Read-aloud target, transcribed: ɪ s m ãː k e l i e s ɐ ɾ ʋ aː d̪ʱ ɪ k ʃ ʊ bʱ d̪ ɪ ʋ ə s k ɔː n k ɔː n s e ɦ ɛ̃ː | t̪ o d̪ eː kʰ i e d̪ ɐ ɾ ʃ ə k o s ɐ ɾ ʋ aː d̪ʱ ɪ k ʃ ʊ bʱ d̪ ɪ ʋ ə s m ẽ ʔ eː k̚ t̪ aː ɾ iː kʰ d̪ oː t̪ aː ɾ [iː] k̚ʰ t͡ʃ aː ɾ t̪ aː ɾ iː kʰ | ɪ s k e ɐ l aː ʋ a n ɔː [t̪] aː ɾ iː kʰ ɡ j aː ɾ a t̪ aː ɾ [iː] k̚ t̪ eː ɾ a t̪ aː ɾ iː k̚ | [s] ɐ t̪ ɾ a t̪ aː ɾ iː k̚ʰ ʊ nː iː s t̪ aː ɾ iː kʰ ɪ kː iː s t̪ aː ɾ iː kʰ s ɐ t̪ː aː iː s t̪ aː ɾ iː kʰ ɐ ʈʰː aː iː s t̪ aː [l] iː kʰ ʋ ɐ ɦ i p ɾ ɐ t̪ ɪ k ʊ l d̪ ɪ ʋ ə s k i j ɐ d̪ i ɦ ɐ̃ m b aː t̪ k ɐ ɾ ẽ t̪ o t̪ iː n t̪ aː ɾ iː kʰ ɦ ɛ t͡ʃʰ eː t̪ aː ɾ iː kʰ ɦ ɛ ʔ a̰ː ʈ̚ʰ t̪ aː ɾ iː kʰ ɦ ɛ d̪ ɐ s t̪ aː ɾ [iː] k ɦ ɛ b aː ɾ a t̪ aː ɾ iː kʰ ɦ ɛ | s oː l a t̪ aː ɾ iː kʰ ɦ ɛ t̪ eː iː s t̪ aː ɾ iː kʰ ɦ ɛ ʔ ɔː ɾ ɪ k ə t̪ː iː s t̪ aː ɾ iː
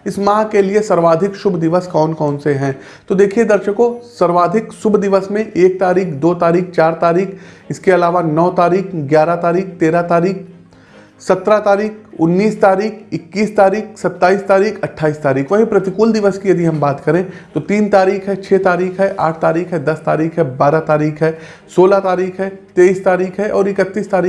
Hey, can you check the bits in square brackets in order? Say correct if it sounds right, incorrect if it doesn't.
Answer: correct, correct, correct, correct, incorrect: ɾ, correct

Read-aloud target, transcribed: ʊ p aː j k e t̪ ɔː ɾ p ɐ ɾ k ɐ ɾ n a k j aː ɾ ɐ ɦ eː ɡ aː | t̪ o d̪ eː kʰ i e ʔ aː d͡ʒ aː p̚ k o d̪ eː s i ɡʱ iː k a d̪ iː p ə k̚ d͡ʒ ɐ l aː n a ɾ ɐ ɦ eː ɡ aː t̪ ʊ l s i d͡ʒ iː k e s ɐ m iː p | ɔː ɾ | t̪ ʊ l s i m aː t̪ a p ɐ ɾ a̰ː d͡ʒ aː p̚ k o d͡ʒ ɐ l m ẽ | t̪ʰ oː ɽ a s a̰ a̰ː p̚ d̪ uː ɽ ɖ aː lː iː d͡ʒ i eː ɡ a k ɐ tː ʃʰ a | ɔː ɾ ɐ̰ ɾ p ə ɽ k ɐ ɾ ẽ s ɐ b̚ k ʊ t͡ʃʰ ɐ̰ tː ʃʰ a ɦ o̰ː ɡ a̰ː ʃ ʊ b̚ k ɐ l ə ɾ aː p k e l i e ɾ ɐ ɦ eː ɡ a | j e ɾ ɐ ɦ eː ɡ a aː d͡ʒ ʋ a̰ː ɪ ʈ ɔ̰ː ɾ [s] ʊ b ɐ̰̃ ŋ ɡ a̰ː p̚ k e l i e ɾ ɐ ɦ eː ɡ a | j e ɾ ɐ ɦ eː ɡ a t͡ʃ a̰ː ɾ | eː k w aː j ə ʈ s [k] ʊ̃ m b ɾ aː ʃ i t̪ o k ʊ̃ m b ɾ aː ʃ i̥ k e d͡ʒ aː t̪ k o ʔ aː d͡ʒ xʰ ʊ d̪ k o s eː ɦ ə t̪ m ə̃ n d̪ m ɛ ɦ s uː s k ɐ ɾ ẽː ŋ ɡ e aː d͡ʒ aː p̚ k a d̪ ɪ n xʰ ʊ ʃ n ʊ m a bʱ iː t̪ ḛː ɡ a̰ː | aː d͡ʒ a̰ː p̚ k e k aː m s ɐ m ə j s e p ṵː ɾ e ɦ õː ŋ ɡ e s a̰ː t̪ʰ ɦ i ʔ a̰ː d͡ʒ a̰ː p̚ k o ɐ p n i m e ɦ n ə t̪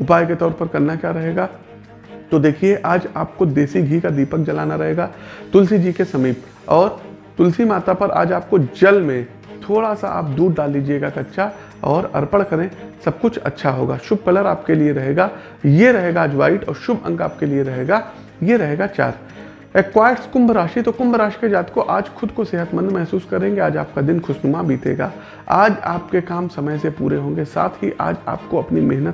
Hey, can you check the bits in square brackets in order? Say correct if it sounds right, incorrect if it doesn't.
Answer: incorrect: ʃ, correct

